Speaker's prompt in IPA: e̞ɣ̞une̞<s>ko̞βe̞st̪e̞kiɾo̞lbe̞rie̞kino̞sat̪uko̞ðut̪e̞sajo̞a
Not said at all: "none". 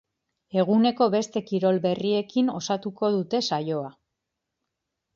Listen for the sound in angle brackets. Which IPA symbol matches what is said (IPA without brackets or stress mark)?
none